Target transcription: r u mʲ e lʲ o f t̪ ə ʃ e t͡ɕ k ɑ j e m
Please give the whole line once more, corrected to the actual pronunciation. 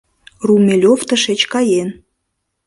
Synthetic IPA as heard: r u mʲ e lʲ o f t̪ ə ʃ e t͡ɕ k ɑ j e n